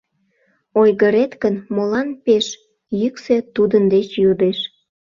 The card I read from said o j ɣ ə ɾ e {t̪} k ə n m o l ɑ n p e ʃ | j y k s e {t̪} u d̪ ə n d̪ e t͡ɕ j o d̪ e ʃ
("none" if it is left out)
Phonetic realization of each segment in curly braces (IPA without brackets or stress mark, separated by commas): t̪, t̪